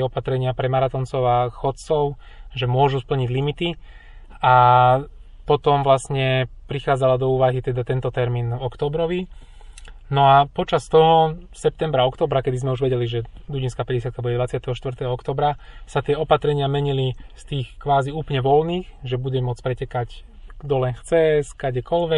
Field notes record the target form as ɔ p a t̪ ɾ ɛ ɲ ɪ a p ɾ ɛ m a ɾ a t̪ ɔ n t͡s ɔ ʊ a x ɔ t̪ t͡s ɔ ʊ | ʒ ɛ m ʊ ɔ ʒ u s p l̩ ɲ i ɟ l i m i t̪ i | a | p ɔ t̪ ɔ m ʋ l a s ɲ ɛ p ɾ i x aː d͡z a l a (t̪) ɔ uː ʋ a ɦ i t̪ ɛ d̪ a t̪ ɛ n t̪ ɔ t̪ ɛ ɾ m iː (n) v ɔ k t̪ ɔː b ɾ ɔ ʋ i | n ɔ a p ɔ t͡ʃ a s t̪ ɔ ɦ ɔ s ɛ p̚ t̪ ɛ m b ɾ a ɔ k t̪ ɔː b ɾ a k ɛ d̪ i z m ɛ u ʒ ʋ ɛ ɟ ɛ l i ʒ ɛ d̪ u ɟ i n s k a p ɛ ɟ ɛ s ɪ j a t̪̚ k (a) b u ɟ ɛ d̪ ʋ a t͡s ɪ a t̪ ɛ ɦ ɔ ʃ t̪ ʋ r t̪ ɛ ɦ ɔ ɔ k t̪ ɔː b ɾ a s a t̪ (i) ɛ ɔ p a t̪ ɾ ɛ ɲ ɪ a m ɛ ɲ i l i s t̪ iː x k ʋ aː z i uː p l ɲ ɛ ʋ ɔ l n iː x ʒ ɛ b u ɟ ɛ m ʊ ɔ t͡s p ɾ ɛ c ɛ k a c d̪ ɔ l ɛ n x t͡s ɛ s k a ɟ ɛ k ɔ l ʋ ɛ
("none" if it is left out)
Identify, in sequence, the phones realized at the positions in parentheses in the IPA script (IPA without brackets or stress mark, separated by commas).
d̪, n, a, ɪ